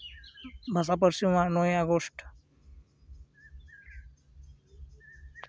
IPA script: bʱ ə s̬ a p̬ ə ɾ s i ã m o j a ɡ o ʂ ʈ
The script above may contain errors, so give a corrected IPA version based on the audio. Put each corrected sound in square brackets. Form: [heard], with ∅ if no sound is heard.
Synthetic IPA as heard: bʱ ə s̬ a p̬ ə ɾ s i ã [n] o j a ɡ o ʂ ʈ